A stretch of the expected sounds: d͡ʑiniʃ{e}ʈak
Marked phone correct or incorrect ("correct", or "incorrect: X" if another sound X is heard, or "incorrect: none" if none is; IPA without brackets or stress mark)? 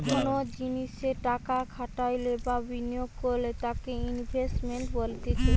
correct